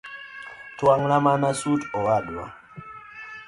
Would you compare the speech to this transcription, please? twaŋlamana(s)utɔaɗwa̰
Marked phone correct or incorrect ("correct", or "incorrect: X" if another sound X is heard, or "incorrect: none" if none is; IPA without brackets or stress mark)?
correct